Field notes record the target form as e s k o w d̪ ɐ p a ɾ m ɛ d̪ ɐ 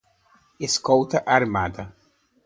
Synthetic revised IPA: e s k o w t̪ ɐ ʔ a ɾ m a d̪ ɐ